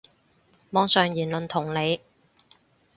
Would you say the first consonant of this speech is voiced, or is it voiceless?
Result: voiced